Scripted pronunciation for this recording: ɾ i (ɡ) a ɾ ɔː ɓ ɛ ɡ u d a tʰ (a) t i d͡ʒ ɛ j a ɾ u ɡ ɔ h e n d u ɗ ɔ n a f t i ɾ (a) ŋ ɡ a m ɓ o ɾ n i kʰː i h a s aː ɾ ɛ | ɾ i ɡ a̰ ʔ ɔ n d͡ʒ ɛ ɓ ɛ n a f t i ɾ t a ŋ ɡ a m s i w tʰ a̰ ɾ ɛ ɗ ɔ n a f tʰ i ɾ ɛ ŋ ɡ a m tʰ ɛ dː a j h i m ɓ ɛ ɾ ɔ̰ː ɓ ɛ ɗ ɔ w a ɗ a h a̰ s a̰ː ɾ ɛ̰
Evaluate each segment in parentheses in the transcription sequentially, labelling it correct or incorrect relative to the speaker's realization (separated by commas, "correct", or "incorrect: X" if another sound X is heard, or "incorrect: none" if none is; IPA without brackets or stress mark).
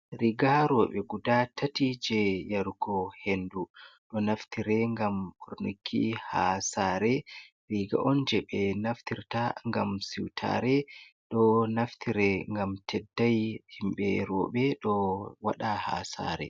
correct, correct, incorrect: ɛ